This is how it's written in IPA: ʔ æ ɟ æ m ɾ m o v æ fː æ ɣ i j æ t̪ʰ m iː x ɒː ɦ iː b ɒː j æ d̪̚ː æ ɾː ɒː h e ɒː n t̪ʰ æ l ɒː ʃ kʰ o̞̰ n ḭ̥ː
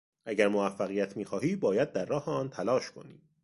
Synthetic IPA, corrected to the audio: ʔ æ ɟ æ ɾ m o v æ fː æ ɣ i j æ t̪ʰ m iː x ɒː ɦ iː b ɒː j æ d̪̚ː æ ɾː ɒː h e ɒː n t̪ʰ æ l ɒː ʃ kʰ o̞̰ n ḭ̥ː